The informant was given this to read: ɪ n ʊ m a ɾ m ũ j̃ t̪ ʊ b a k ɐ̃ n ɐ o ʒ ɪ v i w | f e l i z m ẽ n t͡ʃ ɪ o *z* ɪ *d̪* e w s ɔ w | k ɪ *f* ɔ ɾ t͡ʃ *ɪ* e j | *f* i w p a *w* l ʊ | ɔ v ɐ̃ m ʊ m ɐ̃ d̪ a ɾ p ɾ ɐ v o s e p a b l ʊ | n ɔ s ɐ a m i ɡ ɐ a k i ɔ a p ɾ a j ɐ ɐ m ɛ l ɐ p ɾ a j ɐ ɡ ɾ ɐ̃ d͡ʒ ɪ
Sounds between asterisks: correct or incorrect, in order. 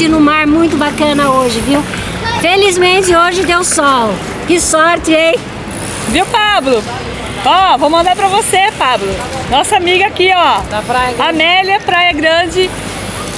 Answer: incorrect, correct, incorrect, correct, incorrect, incorrect

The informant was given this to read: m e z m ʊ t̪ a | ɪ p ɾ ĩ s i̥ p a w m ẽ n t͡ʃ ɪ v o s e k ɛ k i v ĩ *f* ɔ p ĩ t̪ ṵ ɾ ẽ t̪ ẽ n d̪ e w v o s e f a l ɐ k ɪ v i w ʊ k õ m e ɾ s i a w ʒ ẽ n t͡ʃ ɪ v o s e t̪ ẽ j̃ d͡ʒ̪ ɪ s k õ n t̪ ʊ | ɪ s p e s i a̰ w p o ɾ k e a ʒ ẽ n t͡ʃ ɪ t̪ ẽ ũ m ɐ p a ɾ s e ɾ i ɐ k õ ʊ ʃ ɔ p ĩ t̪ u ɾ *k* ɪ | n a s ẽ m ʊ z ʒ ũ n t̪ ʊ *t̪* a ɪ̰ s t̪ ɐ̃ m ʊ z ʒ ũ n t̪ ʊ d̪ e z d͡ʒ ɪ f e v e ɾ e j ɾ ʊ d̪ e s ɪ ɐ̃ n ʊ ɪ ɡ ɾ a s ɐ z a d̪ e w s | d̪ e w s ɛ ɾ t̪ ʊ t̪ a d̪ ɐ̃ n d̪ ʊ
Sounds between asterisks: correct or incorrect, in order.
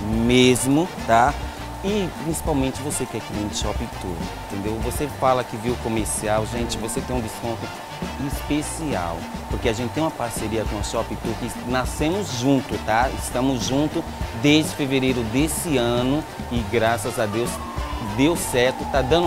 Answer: incorrect, correct, correct

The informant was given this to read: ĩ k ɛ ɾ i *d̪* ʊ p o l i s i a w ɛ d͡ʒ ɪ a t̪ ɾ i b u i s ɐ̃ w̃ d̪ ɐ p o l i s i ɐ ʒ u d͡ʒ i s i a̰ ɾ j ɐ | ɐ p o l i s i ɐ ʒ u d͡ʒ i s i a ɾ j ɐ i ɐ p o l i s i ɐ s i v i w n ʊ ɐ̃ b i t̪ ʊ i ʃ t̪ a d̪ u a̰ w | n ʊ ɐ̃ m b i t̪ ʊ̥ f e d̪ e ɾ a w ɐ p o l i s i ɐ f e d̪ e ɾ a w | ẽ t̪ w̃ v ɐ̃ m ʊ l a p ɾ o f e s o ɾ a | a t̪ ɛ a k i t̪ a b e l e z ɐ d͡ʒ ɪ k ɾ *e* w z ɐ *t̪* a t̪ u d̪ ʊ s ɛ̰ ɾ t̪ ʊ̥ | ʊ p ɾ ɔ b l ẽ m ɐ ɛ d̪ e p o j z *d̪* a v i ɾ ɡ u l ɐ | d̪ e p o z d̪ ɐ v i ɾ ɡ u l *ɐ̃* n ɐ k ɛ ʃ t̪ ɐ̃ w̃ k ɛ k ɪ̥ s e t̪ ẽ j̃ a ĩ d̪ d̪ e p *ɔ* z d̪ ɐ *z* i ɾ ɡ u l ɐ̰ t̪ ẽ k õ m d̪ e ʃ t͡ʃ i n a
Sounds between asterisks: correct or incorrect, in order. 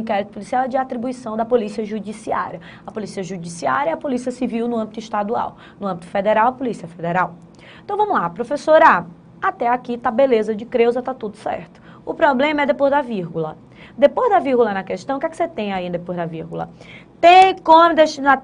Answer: incorrect, correct, correct, correct, incorrect, incorrect, incorrect

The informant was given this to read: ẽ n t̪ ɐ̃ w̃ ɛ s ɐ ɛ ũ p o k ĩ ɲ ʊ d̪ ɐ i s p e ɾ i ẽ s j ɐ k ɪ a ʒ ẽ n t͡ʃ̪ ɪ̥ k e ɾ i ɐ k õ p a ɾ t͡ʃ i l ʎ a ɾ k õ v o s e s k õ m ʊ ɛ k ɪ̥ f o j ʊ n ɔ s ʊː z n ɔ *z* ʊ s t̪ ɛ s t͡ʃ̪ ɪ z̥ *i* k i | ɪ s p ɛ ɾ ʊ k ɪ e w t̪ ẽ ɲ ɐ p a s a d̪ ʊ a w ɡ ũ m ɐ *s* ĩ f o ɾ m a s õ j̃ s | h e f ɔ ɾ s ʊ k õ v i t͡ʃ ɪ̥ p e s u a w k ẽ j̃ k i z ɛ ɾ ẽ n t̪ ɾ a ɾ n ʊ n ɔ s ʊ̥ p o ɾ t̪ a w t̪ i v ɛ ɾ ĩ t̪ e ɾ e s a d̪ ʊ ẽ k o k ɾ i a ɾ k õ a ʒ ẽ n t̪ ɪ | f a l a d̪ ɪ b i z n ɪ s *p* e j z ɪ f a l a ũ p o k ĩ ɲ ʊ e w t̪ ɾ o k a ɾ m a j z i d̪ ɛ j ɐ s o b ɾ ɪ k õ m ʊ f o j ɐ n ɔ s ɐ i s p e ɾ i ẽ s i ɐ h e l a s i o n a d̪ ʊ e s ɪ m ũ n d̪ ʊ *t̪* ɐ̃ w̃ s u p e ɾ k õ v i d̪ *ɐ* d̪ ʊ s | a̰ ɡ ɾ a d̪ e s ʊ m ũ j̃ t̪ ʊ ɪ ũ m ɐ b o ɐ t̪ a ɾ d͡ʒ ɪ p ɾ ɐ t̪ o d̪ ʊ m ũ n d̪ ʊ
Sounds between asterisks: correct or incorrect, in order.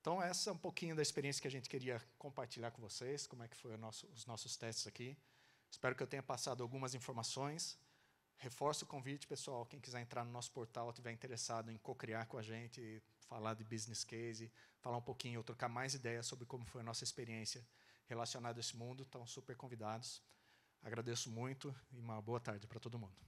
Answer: incorrect, incorrect, incorrect, incorrect, correct, incorrect

